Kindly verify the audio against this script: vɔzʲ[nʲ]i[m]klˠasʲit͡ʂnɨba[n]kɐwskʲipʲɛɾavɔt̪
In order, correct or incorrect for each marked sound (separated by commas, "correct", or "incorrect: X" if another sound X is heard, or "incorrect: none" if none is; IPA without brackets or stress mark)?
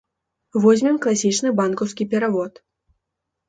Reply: incorrect: mʲ, correct, correct